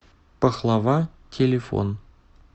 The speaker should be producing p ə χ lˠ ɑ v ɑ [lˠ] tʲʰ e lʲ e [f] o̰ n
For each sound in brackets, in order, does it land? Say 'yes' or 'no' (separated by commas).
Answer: no, yes